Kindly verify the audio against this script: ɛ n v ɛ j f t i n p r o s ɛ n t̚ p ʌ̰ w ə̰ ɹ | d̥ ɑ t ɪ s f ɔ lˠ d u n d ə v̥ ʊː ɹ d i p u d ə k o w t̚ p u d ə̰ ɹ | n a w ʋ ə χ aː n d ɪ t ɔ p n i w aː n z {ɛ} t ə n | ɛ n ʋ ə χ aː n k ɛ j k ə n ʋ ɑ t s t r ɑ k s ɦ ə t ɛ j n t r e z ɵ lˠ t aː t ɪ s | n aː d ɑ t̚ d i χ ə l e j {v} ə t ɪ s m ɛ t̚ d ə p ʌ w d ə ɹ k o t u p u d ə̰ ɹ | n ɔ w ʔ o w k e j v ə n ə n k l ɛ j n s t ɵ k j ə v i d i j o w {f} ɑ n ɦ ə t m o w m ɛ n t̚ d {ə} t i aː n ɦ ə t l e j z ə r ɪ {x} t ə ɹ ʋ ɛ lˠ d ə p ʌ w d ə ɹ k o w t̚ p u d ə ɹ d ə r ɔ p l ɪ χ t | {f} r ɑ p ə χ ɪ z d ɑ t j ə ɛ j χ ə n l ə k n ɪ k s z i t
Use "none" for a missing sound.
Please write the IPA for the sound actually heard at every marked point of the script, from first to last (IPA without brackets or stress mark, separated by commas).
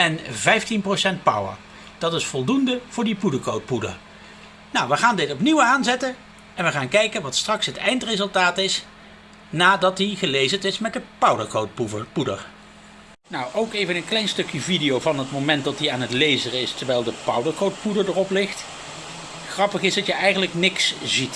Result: ɛ, z, v, ɑ, s, χ